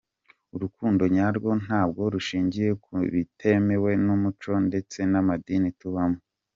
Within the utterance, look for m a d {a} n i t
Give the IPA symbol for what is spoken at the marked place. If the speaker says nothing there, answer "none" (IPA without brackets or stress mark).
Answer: i